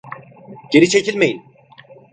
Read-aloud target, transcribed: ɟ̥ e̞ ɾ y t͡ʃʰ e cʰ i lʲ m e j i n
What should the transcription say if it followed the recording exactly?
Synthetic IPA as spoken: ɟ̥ e̞ ɾ i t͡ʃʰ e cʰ i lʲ m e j i n